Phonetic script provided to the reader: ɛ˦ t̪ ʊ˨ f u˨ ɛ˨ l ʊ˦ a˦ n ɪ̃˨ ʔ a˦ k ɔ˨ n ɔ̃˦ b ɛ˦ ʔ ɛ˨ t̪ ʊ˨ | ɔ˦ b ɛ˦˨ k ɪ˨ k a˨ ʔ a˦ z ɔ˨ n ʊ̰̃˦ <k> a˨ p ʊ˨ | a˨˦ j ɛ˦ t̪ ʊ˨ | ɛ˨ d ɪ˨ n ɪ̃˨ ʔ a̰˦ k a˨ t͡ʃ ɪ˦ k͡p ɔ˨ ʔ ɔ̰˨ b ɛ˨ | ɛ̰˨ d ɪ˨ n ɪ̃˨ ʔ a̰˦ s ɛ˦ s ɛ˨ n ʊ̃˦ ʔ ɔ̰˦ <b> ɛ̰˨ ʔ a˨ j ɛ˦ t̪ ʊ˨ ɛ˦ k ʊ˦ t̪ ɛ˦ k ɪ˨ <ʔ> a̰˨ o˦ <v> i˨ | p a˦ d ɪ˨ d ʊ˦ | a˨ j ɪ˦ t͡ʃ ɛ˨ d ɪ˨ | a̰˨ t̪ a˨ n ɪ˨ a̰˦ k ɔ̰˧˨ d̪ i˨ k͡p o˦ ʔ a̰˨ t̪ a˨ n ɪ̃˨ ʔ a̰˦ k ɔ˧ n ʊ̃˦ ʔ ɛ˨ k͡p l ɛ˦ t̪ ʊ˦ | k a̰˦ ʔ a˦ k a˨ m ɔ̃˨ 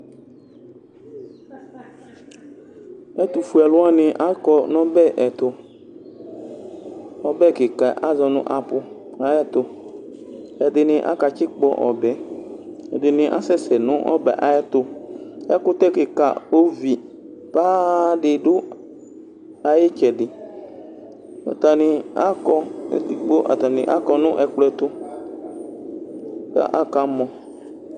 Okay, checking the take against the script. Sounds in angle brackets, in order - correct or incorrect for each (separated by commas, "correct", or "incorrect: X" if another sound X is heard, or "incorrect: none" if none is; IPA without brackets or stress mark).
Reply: incorrect: ʔ, correct, incorrect: k, correct